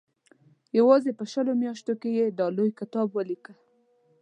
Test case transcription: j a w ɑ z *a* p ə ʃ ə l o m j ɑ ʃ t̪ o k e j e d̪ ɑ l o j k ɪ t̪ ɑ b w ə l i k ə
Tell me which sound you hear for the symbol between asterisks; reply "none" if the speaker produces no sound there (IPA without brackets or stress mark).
e